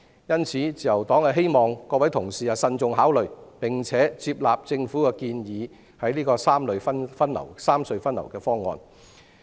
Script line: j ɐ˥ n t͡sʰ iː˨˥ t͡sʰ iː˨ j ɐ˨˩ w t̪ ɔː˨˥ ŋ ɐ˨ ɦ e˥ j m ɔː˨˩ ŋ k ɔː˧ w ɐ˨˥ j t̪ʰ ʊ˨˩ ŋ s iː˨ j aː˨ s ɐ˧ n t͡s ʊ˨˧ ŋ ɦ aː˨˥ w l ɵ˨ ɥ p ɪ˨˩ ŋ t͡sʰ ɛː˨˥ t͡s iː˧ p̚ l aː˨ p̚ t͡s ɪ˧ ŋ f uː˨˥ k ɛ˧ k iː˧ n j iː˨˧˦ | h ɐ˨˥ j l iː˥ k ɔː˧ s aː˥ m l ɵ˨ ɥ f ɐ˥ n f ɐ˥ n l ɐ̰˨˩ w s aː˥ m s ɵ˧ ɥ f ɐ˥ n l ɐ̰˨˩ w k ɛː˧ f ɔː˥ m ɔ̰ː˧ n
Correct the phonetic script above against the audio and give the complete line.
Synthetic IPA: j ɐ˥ n t͡sʰ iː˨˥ t͡s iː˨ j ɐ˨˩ w t̪ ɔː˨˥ ŋ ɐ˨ ɦ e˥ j m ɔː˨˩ ŋ k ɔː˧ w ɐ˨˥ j t̪ʰ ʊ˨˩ ŋ s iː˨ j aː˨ s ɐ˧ n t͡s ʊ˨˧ ŋ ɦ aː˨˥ w l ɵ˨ ɥ p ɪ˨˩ ŋ t͡sʰ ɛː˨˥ t͡s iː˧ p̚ l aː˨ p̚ t͡s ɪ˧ ŋ f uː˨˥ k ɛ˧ k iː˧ n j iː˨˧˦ | h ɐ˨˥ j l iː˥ k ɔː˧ s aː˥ m l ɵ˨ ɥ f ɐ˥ n f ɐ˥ n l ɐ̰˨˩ w s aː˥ m s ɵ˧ ɥ f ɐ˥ n l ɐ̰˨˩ w k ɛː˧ f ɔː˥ ŋ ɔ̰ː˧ n